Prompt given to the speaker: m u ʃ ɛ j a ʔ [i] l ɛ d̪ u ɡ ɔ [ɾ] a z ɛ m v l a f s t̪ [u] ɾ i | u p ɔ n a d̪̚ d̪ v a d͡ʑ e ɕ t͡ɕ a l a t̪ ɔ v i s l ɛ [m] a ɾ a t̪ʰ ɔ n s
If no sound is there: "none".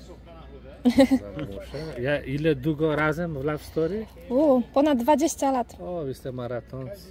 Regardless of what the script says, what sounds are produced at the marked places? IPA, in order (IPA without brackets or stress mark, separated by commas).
i, ɾ, ɔ, m